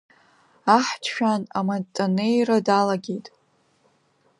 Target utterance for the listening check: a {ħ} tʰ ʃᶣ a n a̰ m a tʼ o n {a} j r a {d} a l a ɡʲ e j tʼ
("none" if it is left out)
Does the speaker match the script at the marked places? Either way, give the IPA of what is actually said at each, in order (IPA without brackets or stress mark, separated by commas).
ħ, e, d